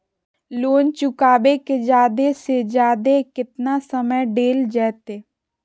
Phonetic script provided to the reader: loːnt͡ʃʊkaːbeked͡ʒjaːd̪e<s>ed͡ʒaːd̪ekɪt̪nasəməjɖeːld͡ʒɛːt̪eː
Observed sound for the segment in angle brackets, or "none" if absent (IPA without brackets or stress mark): s